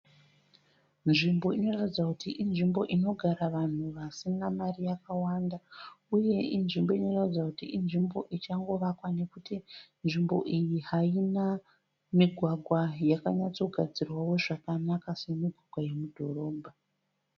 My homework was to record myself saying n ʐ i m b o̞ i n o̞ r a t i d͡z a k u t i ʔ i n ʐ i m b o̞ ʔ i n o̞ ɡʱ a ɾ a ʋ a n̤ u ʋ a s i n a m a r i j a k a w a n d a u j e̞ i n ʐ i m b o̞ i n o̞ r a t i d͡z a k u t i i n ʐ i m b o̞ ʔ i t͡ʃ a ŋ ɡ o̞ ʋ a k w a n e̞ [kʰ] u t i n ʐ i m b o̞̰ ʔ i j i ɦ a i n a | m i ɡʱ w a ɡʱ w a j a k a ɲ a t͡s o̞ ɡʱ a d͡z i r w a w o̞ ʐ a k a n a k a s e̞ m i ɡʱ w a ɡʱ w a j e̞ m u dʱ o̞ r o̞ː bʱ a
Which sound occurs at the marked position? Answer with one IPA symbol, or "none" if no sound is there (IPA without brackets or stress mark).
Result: k